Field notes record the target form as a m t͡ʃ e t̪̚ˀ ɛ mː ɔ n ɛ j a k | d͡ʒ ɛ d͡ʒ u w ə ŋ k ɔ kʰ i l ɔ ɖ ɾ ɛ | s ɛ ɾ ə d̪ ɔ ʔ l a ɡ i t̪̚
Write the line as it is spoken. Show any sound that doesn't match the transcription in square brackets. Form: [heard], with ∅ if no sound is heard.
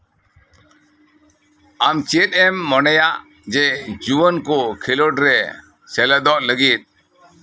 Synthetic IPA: a m t͡ʃ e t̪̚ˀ ɛ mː ɔ n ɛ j a [ʔ] | d͡ʒ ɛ d͡ʒ u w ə [n] k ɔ kʰ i l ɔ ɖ ɾ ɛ | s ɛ [l] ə d̪ ɔ ʔ l [ə] ɡ i t̪̚